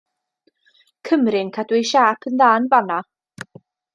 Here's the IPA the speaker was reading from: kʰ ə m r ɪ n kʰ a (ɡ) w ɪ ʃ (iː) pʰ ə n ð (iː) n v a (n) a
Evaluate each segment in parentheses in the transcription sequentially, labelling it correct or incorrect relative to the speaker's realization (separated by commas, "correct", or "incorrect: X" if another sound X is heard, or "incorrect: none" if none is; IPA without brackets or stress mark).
incorrect: d, incorrect: aː, incorrect: aː, correct